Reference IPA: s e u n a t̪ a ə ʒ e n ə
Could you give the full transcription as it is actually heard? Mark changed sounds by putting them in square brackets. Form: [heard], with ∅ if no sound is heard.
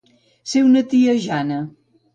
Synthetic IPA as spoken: s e [w] n [ə] t̪ [i] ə ʒ [a] n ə